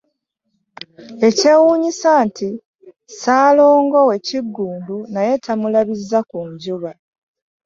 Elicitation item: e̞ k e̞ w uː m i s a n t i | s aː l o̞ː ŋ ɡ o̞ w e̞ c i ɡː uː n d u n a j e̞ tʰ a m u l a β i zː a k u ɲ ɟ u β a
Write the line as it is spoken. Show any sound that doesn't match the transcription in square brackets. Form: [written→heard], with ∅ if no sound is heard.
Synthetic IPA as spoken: e̞ [k→c] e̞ w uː [m→ɲ] i s a n t i | s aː l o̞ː ŋ ɡ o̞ w e̞ c i ɡː uː n d u n a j e̞ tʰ a m u l a β i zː a k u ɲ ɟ u β a